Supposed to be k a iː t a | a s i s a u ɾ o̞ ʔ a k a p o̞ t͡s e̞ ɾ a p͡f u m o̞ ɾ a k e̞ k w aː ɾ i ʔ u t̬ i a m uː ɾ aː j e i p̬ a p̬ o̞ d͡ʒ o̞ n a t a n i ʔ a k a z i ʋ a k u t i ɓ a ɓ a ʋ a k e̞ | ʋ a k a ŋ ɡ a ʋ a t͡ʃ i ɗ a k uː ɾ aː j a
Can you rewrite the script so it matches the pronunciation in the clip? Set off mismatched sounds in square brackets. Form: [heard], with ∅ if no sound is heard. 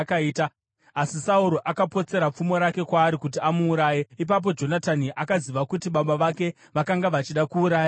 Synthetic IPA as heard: k a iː t a | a s i s a u ɾ o̞ ʔ a k a p o̞ t͡s e̞ ɾ a p͡f u m o̞ ɾ a k e̞ k w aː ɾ i [k] u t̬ i a m uː ɾ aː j e i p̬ a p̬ o̞ d͡ʒ o̞ n a t a n i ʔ a k a z i ʋ a k u t i ɓ a ɓ a ʋ a k e̞ | ʋ a k a ŋ ɡ a ʋ a t͡ʃ i ɗ a k uː ɾ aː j a